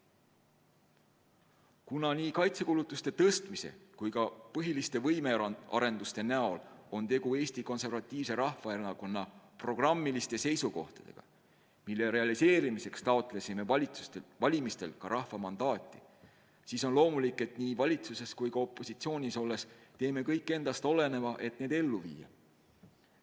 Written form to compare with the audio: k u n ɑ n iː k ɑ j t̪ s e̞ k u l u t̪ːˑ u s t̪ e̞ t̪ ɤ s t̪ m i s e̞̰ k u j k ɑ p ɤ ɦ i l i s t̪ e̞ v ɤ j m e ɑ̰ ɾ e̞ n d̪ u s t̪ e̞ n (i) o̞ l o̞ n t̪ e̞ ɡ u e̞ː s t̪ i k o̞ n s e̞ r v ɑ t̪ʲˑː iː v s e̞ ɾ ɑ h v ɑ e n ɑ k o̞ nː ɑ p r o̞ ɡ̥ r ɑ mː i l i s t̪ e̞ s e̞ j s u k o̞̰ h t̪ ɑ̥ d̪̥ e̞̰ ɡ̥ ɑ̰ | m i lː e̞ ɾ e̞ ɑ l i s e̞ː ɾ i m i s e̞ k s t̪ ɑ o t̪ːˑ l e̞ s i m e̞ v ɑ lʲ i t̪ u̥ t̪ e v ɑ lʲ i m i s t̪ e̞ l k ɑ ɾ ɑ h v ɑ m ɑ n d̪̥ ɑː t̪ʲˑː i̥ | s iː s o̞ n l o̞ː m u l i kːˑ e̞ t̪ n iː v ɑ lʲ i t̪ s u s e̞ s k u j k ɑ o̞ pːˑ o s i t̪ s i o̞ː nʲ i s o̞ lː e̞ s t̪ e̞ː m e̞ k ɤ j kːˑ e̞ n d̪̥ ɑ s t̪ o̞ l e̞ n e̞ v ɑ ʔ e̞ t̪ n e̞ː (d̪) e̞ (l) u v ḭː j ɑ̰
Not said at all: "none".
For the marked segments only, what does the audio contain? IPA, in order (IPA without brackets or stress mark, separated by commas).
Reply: æ, d̪, lː